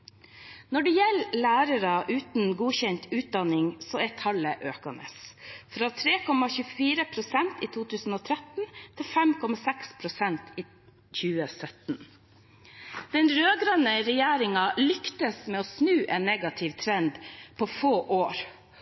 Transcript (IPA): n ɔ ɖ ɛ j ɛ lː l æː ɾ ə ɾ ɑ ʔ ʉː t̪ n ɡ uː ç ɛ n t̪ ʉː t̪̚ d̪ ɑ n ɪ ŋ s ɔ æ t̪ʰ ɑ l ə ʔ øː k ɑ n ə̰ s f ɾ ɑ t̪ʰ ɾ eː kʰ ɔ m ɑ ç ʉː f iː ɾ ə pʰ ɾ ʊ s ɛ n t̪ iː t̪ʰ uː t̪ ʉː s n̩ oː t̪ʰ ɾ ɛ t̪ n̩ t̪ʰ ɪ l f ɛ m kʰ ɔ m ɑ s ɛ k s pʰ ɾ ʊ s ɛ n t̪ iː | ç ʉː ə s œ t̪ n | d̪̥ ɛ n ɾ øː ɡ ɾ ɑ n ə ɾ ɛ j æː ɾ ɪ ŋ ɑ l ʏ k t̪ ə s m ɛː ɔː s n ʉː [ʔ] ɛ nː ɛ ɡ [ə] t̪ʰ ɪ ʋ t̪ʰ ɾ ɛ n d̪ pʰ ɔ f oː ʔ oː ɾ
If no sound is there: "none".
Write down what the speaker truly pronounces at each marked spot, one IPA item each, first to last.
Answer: ʔ, ɑ

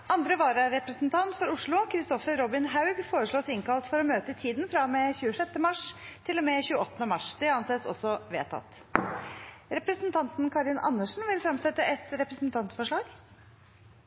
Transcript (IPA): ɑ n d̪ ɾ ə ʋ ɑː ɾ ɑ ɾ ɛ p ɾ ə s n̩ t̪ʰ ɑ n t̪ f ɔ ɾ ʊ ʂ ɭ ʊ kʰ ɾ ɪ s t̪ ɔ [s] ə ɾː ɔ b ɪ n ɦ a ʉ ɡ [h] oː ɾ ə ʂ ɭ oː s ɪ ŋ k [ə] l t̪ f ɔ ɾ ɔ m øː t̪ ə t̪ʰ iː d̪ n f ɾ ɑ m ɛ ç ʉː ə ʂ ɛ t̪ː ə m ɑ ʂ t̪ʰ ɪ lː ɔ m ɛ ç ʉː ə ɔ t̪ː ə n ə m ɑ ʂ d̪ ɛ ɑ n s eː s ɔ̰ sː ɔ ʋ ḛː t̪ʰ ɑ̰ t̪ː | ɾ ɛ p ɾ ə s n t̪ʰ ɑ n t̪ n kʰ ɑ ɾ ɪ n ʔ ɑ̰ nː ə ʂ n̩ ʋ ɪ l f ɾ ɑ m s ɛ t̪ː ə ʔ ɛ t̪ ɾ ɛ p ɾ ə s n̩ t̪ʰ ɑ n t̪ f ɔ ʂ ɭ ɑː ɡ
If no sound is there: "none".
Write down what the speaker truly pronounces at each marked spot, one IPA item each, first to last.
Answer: f, f, ɑ

